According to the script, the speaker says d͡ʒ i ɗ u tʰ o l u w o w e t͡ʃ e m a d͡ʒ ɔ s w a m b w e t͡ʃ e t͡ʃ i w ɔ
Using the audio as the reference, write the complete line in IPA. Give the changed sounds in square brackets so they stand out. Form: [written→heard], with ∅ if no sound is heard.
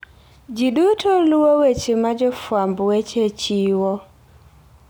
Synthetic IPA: d͡ʒ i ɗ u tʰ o l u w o w e t͡ʃ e m a d͡ʒ ɔ [s→f] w a m b w e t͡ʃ e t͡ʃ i w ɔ